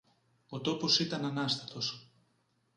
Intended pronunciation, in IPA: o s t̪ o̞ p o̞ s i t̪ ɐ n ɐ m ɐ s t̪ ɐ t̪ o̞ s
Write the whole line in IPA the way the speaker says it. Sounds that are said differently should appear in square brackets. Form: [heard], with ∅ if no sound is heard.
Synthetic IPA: o [∅] t̪ o̞ p o̞ s i t̪ ɐ n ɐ [n] ɐ s t̪ ɐ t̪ o̞ s